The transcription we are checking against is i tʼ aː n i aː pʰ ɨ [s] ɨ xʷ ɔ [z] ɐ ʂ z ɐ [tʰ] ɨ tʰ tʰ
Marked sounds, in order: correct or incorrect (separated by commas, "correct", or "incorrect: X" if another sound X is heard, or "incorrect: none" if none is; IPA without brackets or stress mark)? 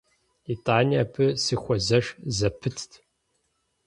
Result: correct, correct, incorrect: pʰ